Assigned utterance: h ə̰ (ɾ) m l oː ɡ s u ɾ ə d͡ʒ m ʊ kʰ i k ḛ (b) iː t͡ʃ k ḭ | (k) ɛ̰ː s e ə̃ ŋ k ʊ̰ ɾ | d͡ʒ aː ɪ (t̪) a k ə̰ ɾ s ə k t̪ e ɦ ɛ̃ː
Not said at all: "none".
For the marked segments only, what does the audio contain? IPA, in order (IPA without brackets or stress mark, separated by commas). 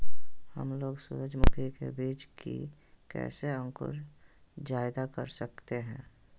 none, b, k, d̪